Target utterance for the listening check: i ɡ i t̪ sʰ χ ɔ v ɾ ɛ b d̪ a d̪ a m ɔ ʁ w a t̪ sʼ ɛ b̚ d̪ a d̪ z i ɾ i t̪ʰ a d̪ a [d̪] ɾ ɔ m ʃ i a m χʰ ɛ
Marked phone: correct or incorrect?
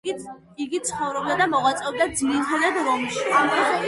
correct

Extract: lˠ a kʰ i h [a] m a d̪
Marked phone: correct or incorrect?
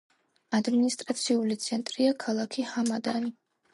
correct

